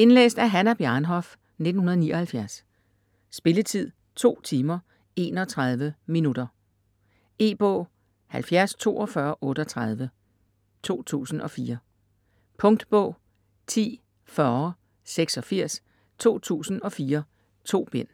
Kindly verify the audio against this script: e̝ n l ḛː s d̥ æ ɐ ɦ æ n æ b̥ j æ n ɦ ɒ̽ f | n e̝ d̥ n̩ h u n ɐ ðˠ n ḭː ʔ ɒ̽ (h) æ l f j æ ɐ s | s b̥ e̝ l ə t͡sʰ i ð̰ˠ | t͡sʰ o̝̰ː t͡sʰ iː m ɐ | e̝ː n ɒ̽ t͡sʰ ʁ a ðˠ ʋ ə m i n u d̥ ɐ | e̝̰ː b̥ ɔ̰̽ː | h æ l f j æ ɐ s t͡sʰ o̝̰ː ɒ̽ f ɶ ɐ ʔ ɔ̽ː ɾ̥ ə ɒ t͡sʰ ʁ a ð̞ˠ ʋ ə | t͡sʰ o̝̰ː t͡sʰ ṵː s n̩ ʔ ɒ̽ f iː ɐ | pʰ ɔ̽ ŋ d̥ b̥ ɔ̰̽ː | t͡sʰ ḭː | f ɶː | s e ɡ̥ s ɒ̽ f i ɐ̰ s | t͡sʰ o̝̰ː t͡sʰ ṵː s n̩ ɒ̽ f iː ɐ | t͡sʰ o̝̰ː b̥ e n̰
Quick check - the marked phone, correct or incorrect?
correct